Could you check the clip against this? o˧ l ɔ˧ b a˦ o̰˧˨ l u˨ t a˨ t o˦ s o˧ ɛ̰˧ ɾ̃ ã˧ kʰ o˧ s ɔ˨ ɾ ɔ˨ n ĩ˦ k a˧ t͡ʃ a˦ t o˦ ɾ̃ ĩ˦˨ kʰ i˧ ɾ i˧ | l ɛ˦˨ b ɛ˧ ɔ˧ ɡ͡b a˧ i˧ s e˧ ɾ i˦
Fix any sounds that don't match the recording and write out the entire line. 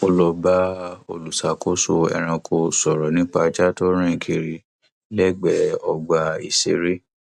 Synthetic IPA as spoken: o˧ l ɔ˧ b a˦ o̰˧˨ l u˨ s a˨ k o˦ s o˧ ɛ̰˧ ɾ̃ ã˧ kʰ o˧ s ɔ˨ ɾ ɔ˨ n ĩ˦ k͡p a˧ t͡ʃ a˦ t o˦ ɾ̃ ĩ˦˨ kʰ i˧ ɾ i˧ | l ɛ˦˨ ɡ͡b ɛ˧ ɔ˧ ɡ͡b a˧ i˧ s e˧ ɾ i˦